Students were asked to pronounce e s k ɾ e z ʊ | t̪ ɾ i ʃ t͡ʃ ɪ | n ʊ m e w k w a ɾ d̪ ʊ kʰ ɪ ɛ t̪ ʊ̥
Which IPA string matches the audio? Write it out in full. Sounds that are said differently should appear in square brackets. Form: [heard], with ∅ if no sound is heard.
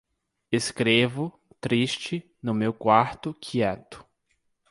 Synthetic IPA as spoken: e s k ɾ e [v] ʊ | t̪ ɾ i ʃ t͡ʃ ɪ | n ʊ m e w k w a ɾ [t̪] ʊ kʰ [i] ɛ t̪ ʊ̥